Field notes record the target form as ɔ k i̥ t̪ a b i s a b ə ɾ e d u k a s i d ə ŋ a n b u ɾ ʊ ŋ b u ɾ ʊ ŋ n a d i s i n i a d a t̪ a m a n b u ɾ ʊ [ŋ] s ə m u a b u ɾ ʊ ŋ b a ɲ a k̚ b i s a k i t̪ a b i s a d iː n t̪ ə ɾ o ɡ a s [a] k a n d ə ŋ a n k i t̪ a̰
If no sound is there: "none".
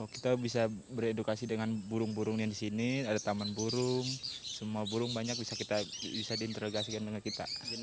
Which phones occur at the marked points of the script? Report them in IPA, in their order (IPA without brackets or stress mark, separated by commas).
ŋ, i